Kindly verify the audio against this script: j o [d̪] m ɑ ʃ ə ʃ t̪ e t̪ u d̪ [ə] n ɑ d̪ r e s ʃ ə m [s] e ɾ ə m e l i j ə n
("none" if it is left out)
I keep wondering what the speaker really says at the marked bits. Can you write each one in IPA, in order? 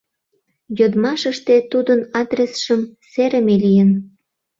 d̪, ə, s

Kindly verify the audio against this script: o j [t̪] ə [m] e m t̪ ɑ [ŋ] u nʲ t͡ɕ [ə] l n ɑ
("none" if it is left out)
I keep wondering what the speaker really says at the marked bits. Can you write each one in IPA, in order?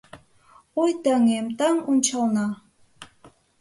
t̪, ŋ, ŋ, ɑ

